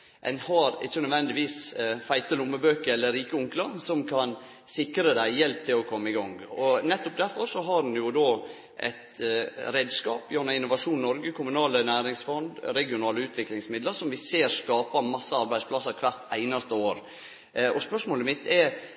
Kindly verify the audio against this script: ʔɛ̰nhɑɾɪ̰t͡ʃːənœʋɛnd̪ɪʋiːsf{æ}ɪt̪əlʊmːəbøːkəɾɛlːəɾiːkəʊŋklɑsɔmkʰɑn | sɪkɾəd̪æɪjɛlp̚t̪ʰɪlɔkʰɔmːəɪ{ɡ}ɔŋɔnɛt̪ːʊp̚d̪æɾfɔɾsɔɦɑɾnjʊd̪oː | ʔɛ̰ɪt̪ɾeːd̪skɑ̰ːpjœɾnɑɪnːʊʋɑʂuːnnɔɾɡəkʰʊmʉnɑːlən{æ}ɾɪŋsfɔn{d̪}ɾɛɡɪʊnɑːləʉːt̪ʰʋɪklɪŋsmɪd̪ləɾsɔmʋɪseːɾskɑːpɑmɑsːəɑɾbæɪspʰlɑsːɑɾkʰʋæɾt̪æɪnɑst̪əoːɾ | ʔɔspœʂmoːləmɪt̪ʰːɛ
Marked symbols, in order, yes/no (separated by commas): yes, yes, no, yes